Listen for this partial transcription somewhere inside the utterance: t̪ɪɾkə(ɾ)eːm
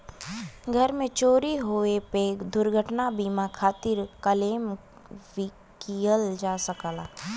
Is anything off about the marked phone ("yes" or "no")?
yes